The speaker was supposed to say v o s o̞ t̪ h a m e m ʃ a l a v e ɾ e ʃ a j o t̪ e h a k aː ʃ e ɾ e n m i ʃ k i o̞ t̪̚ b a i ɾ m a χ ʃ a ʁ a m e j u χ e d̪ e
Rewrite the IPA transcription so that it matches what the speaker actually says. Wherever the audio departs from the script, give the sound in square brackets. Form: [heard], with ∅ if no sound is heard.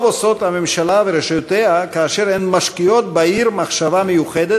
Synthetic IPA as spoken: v o s o̞ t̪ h a m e m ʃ a l a v e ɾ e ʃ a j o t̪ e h a k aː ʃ e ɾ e n m [a] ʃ k i o̞ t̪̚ b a i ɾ m a χ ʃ a [v] a m e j u χ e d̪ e